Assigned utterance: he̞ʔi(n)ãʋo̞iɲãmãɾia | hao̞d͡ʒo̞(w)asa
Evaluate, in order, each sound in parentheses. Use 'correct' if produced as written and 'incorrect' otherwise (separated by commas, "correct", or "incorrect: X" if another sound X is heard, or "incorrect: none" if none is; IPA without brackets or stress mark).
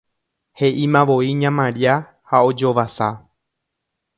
incorrect: m, incorrect: ʋ